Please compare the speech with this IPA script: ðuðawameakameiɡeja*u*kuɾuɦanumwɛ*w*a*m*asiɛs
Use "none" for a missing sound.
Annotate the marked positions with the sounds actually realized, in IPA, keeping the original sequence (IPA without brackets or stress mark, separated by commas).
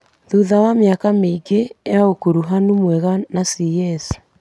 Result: o, ɣ, n